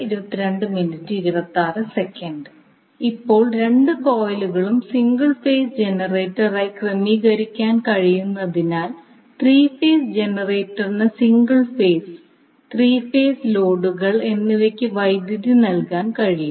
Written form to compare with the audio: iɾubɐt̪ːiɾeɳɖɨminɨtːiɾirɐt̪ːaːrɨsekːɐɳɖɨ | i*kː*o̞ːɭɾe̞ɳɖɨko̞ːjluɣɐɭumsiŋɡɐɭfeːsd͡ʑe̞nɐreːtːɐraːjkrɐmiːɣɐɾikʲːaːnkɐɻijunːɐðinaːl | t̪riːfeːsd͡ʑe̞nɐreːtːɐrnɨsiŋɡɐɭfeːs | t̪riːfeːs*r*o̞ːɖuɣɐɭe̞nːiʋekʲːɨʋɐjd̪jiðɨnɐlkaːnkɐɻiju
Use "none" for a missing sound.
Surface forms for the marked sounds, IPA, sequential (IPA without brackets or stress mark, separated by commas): pː, l